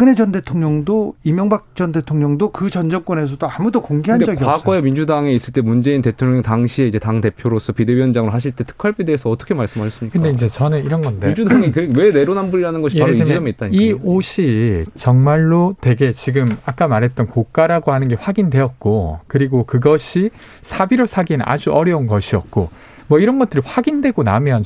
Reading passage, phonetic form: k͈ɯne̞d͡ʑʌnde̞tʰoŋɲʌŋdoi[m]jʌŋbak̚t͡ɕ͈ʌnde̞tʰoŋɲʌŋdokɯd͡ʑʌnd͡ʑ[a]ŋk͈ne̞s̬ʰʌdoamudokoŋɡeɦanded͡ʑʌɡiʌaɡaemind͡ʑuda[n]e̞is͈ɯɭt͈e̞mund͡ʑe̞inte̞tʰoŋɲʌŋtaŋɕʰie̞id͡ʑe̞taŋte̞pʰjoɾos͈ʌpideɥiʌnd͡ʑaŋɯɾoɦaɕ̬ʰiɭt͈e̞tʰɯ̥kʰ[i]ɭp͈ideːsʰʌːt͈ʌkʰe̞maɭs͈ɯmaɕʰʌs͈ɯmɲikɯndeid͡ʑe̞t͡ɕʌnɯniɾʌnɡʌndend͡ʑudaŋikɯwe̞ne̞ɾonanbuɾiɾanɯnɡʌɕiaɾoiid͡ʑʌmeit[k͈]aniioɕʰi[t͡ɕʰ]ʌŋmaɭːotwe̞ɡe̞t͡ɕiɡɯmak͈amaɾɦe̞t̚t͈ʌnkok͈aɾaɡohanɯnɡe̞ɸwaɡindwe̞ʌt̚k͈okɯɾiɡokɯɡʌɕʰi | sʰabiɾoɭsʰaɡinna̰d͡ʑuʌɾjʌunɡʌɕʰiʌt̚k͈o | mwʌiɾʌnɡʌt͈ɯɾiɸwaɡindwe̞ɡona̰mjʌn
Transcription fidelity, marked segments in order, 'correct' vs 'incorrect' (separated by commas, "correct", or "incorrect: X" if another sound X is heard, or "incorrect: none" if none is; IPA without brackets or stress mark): correct, incorrect: ʌ, incorrect: ŋ, incorrect: a, incorrect: t͈, incorrect: t͡ɕ